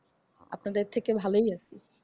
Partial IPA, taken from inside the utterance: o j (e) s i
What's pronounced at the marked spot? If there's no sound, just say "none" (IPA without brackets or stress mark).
a